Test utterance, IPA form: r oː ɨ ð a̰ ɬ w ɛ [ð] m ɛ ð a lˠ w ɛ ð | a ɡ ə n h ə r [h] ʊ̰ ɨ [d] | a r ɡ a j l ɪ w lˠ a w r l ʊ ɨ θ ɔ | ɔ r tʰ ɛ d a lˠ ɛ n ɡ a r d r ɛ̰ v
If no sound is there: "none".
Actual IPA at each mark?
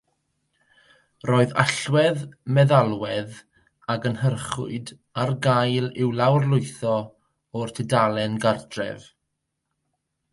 ð, χ, d

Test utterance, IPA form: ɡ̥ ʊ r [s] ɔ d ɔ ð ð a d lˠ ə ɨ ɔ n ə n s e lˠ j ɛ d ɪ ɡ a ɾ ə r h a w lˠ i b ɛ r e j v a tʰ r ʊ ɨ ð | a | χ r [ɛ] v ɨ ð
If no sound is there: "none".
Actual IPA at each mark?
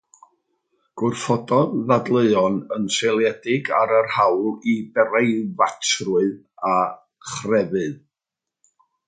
f, ɛ

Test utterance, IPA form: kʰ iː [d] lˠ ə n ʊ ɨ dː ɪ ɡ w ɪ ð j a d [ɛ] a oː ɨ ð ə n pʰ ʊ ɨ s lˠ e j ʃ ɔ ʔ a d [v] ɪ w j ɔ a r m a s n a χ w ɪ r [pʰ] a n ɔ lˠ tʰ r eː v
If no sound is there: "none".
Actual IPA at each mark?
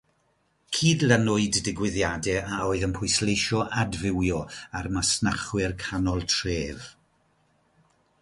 d, ɛ, v, kʰ

